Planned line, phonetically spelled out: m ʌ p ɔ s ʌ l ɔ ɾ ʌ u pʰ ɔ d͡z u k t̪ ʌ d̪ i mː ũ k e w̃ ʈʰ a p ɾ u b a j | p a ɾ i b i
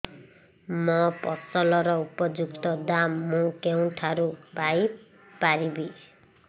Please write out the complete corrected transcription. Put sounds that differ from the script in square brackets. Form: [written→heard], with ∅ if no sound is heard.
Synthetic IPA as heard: m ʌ p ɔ s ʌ l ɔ ɾ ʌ u [pʰ→p] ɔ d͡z u k t̪ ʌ d̪ [i→a] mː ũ k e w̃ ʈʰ a [p→∅] ɾ u b a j | p a ɾ i b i